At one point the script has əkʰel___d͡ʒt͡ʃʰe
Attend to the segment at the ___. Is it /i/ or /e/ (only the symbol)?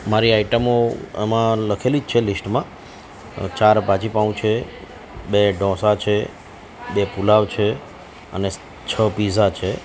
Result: i